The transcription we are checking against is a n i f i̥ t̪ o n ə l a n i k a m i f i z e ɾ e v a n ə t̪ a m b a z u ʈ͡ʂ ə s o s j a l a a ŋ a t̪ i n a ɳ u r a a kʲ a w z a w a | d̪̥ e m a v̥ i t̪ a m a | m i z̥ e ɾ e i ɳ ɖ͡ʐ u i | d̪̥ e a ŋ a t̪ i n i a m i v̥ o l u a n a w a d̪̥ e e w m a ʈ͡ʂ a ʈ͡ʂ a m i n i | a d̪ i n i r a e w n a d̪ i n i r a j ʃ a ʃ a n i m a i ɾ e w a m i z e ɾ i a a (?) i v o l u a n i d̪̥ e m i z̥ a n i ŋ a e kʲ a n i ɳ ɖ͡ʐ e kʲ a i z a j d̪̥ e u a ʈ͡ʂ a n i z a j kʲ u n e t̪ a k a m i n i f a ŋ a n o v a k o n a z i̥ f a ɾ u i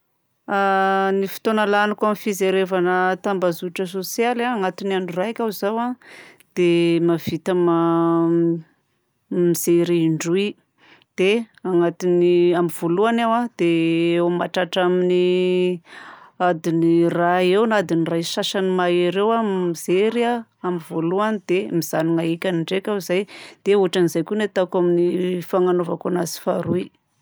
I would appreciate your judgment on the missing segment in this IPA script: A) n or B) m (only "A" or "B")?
B